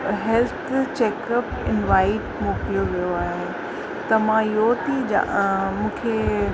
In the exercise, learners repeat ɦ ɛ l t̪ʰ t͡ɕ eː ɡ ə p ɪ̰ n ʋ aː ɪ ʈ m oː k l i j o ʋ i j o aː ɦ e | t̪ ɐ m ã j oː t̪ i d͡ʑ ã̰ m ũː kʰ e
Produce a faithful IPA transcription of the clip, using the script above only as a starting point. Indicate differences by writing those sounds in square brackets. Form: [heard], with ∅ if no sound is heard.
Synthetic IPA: ɦ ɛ l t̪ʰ t͡ɕ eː [k] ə p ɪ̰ n ʋ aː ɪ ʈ m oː k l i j o ʋ i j o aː ɦ e | t̪ ɐ m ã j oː t̪ i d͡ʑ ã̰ m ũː kʰ e